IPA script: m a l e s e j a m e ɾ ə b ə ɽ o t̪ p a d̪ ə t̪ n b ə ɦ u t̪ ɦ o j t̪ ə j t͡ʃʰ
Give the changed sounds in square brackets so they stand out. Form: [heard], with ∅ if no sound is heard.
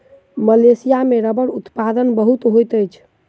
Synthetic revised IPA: m [ə] l e s [i] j a m e ɾ ə b ə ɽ [u] t̪ p a d̪ ə [∅] n b ə ɦ u t̪ ɦ o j t̪ ə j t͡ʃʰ